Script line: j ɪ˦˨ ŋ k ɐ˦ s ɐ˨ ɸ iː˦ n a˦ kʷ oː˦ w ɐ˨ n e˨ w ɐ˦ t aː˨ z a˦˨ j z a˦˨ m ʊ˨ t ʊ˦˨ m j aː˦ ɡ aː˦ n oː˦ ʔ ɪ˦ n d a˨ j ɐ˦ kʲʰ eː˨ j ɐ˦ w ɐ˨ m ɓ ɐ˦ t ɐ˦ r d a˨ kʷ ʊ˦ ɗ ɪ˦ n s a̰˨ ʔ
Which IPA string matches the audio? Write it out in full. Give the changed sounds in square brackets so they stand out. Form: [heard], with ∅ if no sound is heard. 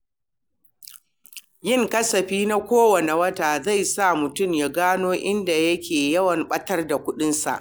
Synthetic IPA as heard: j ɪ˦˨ ŋ k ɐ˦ s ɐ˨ ɸ iː˦ n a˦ kʷ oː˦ w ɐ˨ n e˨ w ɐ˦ t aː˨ z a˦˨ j [s] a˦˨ m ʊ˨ t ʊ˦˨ m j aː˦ ɡ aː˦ n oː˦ ʔ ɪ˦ n d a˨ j ɐ˦ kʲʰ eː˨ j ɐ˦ w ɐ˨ m ɓ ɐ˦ t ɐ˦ r d a˨ kʷ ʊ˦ ɗ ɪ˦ n s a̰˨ ʔ